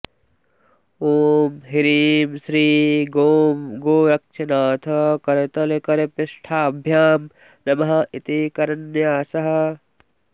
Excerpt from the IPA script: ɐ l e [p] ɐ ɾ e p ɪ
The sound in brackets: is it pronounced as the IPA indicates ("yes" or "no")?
no